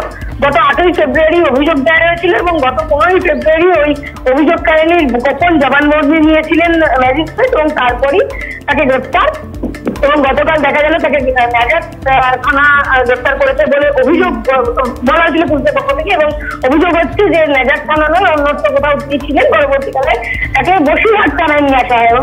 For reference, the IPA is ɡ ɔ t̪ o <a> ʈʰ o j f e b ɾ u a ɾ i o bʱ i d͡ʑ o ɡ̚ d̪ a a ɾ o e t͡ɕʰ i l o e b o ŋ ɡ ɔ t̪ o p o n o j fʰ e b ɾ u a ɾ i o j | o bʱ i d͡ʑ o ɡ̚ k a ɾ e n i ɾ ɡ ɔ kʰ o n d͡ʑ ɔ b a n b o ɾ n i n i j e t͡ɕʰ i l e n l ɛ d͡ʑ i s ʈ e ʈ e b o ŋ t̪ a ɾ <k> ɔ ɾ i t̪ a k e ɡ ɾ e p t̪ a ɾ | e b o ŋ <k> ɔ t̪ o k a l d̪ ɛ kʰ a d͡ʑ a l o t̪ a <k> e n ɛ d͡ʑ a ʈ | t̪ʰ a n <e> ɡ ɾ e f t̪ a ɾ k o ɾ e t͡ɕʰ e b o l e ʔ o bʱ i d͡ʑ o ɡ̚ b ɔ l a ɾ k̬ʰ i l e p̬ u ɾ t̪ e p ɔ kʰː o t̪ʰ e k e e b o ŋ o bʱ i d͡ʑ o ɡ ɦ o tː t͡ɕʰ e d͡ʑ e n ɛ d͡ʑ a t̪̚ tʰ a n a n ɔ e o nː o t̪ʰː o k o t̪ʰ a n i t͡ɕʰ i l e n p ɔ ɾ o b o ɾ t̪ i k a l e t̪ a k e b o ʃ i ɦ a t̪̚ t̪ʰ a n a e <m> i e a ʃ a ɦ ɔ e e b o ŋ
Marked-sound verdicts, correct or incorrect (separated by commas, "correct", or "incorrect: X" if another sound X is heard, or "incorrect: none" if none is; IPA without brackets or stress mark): correct, incorrect: p, incorrect: ɡ, correct, incorrect: a, incorrect: n